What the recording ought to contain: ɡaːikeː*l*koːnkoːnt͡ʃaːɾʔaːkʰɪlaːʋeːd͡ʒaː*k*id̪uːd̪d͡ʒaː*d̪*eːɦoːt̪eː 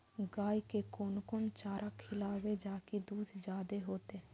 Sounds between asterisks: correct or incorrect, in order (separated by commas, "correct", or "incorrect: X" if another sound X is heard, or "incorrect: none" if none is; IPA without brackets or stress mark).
incorrect: none, correct, correct